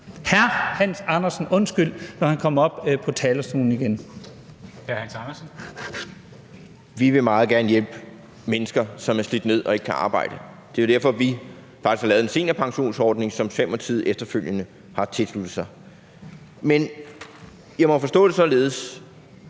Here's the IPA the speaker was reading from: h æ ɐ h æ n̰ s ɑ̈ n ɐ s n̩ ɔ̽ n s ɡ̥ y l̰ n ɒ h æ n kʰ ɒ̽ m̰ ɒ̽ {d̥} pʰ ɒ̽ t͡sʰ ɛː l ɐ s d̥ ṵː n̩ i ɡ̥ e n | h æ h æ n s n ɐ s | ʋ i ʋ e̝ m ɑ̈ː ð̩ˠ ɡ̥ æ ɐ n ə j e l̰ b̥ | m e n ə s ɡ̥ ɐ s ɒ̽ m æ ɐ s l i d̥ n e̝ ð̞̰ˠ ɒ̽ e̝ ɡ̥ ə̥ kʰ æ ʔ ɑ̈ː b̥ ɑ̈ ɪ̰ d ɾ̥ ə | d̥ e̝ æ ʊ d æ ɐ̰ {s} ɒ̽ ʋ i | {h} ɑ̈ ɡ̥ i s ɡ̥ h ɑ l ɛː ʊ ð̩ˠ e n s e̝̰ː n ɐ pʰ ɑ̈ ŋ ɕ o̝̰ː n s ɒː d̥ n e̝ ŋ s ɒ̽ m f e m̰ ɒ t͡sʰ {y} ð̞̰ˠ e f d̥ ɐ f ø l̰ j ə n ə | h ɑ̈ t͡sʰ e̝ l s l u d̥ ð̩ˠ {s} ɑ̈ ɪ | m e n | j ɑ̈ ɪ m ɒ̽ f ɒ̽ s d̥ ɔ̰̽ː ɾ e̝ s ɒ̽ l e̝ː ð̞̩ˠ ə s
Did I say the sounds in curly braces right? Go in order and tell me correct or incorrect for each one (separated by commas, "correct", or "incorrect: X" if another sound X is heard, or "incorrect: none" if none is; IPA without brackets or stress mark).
incorrect: b̥, incorrect: f, incorrect: f, incorrect: i, correct